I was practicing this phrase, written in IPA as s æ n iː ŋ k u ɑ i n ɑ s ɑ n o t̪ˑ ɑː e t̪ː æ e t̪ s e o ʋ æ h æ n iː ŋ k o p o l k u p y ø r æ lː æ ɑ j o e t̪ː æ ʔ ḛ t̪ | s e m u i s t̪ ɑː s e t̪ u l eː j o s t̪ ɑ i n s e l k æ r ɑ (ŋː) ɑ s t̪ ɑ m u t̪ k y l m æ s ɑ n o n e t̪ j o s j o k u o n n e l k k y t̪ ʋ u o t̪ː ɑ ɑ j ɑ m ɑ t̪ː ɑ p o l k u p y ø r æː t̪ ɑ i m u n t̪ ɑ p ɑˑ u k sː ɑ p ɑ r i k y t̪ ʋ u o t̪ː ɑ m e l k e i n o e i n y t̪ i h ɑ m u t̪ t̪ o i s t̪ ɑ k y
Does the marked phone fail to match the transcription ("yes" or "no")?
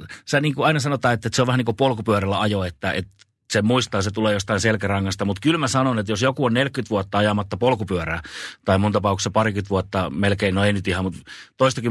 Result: no